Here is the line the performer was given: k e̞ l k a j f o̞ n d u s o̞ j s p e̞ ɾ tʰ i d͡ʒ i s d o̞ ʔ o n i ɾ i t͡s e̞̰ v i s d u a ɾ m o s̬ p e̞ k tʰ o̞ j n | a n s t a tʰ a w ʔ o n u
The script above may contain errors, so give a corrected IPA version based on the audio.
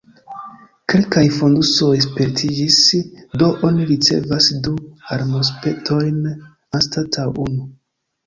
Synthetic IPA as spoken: k e̞ l k a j f o̞ n d u s o̞ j s p e̞ ɾ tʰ i d͡ʒ i s d o̞ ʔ o n i ɾ i t͡s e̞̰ v a s d u a ɾ m o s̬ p e̞ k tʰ o̞ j n | a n s t a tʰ a w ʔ u n u